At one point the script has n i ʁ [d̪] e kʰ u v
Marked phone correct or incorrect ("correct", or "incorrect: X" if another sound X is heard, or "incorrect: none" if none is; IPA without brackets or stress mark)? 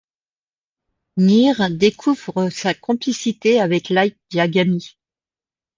correct